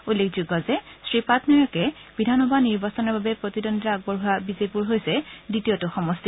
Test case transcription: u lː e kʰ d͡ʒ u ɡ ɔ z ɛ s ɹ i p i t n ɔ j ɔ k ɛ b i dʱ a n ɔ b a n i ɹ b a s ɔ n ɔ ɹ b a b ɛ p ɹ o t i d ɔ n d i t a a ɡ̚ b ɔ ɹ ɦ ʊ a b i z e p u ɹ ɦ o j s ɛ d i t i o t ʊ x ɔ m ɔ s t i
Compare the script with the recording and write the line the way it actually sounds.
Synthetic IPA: u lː e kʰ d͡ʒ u ɡ ɔ z ɛ s ɹ i p a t n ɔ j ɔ k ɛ b i dʱ a n ɔ b a n i ɹ b a s ɔ n ɔ ɹ b a b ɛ p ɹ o t i d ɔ n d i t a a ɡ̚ b ɔ ɹ ɦ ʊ a b i z e p u ɹ ɦ o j s ɛ d i t i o t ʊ x ɔ m ɔ s t i